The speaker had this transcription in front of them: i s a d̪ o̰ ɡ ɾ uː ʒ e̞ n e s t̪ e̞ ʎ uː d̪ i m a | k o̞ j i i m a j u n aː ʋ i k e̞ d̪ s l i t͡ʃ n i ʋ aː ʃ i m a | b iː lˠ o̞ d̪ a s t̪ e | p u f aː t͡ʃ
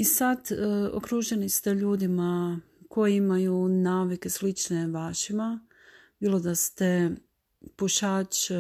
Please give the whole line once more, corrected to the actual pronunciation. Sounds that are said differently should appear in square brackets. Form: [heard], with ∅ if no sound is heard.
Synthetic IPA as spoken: i s a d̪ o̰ [k] ɾ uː ʒ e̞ n [i] s t̪ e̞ ʎ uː d̪ i m a | k o̞ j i i m a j u n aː ʋ i k e̞ [∅] s l i t͡ʃ n [e] ʋ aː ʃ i m a | b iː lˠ o̞ d̪ a s t̪ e | p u [ʃ] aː t͡ʃ